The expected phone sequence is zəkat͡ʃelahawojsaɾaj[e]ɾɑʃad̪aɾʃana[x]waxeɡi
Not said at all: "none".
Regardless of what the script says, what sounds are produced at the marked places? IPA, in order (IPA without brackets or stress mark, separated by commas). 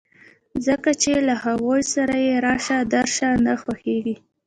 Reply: e, x